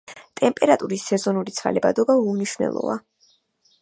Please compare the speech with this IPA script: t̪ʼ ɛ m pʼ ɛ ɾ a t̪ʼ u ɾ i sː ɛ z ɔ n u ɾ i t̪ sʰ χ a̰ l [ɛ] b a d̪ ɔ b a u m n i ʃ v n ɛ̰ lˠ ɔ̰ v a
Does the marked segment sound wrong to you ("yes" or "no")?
no